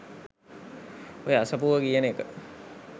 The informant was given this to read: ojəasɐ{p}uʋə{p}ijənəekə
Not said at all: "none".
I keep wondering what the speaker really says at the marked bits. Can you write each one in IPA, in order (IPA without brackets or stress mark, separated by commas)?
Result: p, k